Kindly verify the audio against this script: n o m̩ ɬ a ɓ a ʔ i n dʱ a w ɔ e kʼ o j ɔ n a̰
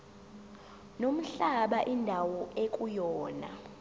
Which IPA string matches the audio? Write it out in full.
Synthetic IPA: n o m̩ ɬ a ɓ a ʔ i n dʱ a w ɔ e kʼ u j ɔː n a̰

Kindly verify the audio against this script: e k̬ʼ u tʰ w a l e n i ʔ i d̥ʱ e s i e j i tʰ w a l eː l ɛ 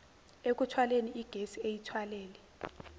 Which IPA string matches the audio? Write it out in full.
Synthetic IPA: e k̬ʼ u tʰ w a l e n i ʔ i ɡ̥ʱ e s i e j i tʰ w a l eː l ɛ

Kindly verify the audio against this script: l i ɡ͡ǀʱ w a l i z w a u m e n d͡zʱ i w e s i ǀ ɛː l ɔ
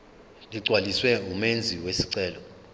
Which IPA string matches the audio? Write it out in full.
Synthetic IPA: l i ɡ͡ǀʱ w a l i s w ɛ u m e n d͡zʱ i w e s i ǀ ɛː l ɔ

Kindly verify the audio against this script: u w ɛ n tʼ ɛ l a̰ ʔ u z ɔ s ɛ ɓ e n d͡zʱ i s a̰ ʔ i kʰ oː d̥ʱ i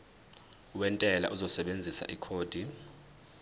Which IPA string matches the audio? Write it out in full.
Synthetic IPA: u w ɛ n tʼ ɛ l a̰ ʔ u z ɔ s ɛ ɓ e n d͡zʱ i s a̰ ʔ i kʰ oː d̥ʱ i

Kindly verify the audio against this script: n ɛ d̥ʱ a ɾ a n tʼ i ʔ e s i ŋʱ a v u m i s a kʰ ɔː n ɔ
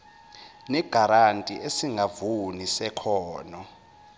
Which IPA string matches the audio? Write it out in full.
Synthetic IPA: n ɛ ɡ̥ʱ a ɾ a n tʼ i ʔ e s i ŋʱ a v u n i s ɛ kʰ ɔː n ɔ

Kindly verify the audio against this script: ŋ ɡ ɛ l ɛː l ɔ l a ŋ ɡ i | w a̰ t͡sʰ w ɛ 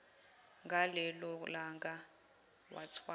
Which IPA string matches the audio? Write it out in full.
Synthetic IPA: ŋ ɡ a l ɛ l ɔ l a ŋ ɡ a | w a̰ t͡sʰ w a

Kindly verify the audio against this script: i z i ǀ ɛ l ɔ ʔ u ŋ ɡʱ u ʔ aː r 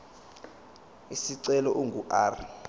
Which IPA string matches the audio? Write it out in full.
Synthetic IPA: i s i ǀ ɛ l ɔ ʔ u ŋ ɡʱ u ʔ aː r

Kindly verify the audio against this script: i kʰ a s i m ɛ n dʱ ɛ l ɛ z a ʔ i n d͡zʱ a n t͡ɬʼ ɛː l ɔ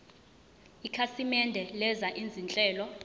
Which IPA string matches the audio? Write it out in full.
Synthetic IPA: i kʰ a s i m ɛ n dʱ ɛ l ɛ z a ʔ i n d͡zʱ i n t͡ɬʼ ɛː l ɔ

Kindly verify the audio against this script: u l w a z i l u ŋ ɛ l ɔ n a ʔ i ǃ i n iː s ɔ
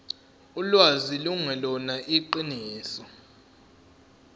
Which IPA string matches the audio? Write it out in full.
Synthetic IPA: u l w a z i l u ŋ ɛ l ɔ n a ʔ i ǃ i n iː s ɔ

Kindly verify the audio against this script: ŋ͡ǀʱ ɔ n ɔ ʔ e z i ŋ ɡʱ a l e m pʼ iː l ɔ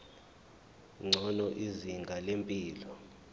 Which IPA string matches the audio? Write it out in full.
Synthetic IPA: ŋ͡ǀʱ ɔ n ɔ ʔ i z i ŋ ɡʱ a l e m pʼ iː l ɔ

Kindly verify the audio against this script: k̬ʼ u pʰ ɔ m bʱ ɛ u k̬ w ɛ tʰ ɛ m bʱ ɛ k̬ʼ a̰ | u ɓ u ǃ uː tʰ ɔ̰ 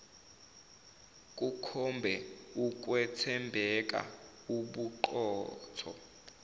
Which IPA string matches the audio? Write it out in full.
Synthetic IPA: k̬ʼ u kʰ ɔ m bʱ ɛ u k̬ w ɛ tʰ ɛ m bʱ ɛ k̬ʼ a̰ | u ɓ u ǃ ɔː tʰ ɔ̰

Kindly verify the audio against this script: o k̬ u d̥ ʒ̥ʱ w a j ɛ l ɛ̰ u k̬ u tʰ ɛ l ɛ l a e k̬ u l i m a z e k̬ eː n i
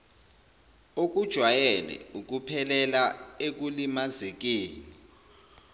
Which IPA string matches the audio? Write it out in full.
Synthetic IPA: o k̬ u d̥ ʒ̥ʱ w a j ɛ l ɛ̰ u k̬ u pʰ ɛ l ɛ l a e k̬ u l i m a z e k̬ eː n i

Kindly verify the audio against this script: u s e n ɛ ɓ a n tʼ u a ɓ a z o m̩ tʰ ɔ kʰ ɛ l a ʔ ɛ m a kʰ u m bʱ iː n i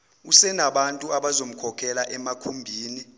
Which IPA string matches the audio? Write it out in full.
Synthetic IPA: u s ɛ n a ɓ a n tʼ u a ɓ a z o m̩ kʰ ɔ kʰ ɛ l a ʔ ɛ m a kʰ u m bʱ iː n i

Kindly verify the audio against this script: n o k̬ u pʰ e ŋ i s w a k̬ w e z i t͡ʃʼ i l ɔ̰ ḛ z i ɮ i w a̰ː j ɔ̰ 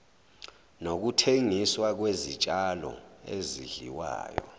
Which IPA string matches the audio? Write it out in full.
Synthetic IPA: n o k̬ u tʰ e ŋ i s w a k̬ w e z i t͡ʃʼ a l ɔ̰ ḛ z i ɮ i w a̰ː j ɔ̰

